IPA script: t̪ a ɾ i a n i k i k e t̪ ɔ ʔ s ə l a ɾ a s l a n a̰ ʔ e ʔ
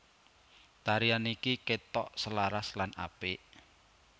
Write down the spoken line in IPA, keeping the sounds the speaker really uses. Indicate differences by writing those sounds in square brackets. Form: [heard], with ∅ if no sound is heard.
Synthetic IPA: t̪ a ɾ i a n i k i k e t̪ ɔ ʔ s ə l a ɾ a s l a n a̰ [p] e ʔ